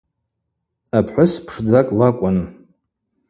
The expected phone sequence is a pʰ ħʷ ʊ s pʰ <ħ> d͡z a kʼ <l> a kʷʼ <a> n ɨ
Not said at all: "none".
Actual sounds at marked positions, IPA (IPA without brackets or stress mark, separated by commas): ʂ, l, a